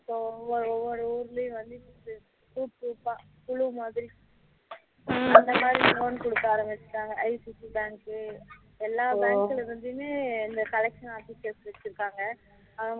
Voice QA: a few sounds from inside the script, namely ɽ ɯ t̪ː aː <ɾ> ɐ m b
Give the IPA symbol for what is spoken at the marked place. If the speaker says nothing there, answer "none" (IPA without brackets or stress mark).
ɾ